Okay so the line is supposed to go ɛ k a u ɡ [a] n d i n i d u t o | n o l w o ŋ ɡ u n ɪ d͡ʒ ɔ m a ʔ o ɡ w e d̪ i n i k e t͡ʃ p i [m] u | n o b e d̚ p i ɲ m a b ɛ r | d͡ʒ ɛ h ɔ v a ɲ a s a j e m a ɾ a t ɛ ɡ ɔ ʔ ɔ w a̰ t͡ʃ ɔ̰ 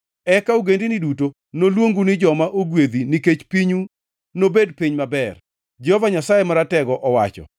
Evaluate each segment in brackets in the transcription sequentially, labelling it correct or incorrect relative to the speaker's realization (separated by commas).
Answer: incorrect, incorrect